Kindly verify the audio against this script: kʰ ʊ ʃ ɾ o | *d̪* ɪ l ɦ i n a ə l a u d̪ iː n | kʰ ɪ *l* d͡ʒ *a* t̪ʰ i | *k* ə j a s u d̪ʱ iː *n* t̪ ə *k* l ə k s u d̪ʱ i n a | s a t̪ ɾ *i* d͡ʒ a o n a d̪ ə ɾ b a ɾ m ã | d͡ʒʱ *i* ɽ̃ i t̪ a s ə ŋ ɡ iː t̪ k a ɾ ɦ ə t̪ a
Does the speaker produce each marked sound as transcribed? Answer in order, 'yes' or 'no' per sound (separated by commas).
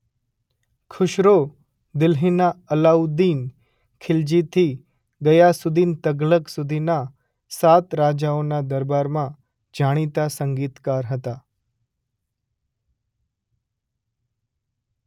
yes, yes, no, no, yes, no, no, no